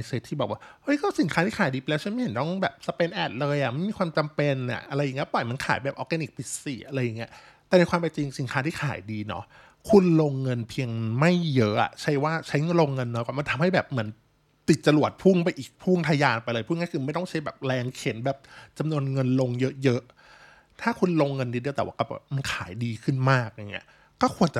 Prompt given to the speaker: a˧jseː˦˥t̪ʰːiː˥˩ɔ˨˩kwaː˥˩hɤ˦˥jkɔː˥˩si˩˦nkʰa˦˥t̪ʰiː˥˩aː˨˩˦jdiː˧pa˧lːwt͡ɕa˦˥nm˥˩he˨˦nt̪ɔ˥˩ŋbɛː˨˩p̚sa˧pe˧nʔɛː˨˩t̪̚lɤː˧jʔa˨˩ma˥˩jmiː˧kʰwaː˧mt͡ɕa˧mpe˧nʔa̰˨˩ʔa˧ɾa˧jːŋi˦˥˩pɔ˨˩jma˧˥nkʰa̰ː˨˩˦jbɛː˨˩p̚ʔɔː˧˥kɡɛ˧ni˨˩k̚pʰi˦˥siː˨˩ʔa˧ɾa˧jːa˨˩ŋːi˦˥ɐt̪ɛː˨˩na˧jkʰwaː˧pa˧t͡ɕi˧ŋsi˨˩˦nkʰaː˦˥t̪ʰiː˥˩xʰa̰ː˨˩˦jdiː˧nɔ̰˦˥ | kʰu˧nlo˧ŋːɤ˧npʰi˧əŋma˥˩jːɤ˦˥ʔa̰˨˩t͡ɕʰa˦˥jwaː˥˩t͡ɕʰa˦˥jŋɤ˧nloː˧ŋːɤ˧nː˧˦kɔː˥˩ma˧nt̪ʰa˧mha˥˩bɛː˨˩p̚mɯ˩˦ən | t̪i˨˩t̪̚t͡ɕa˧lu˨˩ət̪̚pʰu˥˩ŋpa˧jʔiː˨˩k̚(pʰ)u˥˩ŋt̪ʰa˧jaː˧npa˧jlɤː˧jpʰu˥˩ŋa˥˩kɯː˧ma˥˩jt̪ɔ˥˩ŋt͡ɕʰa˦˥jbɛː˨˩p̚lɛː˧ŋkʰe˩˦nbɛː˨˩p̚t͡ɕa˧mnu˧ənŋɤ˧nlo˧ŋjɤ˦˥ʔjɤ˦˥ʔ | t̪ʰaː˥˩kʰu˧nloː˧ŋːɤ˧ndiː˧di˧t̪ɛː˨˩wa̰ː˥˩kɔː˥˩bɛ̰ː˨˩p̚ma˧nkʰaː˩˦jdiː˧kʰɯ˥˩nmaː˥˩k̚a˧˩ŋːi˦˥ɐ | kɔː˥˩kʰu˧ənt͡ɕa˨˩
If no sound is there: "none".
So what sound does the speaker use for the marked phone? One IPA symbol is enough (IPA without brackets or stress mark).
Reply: pʰ